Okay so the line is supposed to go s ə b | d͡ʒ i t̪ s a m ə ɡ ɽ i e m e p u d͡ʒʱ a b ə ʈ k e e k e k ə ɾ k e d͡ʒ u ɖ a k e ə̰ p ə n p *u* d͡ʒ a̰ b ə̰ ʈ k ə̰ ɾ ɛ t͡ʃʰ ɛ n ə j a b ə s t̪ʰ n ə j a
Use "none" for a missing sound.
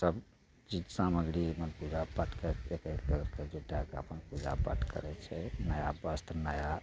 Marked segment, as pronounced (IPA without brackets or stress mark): u